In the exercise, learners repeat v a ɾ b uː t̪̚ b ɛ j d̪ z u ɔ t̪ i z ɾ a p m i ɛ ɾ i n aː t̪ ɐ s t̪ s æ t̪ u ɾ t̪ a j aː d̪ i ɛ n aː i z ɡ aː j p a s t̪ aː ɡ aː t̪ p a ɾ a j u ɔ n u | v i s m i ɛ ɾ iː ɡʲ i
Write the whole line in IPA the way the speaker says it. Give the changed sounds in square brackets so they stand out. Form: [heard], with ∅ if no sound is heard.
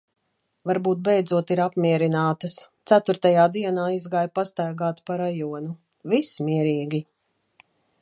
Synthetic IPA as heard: v a ɾ b uː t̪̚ b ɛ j d̪ z u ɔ t̪ i [∅] ɾ a p m i ɛ ɾ i n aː t̪ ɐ s t̪ s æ t̪ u ɾ t̪ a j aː d̪ i ɛ n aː i z ɡ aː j p a s t̪ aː ɡ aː t̪ p a ɾ a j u ɔ n u | v i s m i ɛ ɾ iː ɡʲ i